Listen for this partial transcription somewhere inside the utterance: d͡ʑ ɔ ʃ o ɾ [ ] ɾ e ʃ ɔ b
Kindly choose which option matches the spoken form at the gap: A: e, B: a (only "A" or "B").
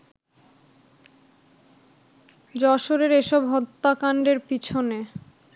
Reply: A